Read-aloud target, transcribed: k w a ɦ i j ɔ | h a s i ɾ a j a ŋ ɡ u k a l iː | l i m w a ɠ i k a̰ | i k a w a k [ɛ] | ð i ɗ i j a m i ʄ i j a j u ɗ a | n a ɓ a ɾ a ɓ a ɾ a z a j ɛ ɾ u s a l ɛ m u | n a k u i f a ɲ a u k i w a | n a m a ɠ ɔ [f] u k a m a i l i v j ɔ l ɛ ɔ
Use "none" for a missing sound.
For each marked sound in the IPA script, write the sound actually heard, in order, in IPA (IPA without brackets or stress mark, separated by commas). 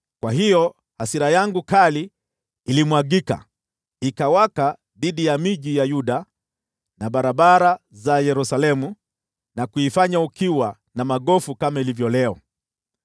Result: a, f